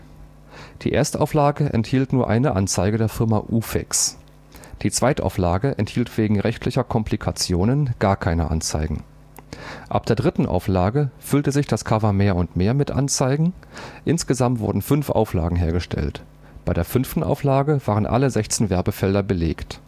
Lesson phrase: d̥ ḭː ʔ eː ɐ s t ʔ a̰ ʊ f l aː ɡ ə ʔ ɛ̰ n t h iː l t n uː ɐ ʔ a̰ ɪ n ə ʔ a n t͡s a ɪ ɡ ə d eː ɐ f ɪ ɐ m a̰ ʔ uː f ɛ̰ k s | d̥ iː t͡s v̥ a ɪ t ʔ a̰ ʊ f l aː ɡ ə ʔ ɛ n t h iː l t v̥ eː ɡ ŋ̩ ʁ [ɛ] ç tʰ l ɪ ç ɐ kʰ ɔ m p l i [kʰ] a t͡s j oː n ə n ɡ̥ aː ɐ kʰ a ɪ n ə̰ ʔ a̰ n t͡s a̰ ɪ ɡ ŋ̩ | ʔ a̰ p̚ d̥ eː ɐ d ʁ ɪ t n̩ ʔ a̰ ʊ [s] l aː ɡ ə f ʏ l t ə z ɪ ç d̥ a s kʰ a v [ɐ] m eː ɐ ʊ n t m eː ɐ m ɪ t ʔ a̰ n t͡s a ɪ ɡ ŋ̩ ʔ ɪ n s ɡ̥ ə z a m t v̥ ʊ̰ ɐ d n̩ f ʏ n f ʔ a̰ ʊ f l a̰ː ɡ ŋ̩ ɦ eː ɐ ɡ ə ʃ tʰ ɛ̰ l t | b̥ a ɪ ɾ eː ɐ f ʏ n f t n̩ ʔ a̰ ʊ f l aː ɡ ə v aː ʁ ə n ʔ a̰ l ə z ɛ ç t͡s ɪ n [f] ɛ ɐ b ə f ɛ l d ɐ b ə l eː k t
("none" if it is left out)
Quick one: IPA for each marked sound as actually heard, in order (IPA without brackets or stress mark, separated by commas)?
ɛ, kʰ, f, ɐ, v